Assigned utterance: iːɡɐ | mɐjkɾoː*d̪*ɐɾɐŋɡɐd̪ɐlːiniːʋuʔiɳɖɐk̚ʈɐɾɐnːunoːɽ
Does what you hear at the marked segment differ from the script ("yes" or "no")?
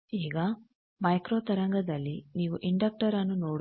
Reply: yes